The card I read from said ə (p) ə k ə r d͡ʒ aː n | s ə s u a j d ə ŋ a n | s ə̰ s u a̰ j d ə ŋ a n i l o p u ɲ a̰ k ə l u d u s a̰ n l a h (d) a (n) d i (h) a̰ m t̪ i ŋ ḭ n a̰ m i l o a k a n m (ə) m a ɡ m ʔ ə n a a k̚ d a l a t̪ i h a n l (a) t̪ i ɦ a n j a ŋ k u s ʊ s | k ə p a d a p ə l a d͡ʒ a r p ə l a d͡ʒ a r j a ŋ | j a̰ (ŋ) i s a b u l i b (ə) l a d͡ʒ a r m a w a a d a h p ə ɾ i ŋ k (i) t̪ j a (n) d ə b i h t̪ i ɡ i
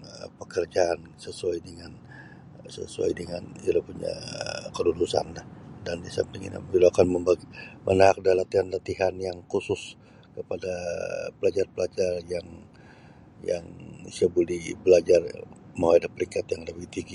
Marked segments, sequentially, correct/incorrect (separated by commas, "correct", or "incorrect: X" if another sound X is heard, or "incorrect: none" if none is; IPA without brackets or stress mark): correct, correct, correct, incorrect: s, correct, correct, correct, correct, incorrect: a, incorrect: ŋ